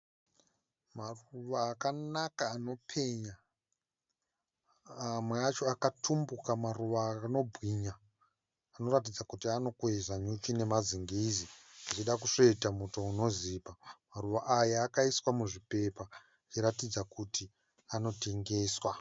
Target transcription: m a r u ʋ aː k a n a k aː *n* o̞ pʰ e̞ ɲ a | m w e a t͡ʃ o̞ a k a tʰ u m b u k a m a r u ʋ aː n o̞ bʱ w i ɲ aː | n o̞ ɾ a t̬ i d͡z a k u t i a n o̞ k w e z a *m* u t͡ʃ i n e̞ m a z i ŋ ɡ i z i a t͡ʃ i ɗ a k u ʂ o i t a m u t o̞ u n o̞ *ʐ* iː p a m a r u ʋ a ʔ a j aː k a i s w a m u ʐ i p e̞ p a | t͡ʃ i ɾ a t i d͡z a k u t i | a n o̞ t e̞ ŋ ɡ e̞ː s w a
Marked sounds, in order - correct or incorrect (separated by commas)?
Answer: correct, incorrect, incorrect